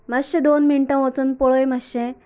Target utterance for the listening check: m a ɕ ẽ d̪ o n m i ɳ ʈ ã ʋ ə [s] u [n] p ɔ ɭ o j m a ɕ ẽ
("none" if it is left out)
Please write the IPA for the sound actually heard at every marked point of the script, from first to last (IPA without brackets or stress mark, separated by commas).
t͡s, n